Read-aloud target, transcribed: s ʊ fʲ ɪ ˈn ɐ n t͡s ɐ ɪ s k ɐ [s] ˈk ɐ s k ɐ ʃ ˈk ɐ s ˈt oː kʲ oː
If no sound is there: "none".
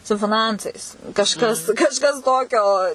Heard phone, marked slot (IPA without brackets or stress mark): ʃ